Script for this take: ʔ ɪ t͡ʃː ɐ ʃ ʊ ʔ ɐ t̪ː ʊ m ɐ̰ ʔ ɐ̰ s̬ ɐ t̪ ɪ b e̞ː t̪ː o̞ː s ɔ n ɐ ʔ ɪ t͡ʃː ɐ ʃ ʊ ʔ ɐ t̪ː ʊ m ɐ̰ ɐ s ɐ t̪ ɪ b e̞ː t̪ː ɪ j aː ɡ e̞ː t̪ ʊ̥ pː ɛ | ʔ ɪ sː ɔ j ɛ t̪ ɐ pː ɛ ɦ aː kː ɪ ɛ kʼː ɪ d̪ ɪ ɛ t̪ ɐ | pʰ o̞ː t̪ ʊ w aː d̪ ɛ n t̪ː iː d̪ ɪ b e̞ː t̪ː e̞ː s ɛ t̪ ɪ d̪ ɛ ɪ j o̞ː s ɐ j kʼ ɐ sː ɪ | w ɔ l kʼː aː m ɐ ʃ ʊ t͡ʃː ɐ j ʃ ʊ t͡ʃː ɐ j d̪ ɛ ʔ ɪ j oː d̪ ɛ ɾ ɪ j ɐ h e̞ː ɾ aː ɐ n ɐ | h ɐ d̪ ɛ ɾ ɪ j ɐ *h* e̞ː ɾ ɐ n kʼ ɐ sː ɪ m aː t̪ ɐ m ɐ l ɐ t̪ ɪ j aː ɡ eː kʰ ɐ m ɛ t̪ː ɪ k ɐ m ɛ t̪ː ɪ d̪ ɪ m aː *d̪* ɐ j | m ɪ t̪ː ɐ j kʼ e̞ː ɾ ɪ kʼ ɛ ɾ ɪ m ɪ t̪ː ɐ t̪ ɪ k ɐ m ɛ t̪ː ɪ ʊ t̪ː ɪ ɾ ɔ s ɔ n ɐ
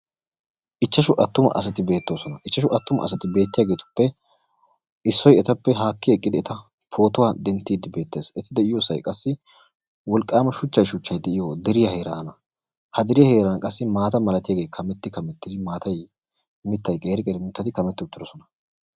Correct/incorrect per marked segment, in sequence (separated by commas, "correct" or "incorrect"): correct, incorrect